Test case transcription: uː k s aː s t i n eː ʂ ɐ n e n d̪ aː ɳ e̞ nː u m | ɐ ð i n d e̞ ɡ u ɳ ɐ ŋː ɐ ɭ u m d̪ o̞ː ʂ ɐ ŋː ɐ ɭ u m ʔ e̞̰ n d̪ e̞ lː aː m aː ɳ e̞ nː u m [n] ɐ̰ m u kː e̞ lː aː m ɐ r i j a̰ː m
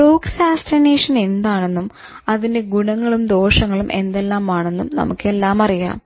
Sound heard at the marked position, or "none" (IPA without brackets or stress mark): n